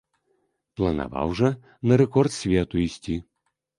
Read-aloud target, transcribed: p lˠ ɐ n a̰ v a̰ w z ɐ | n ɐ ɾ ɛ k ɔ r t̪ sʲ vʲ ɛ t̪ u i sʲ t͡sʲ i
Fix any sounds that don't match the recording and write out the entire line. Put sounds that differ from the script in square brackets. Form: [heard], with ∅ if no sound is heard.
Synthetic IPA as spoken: p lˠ ɐ n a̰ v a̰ w [ʐ] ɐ | n ɐ ɾ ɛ k ɔ r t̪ sʲ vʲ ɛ t̪ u i sʲ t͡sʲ i